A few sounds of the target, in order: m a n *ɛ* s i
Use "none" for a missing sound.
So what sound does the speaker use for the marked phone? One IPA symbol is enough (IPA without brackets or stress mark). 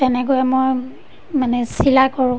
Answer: ɛ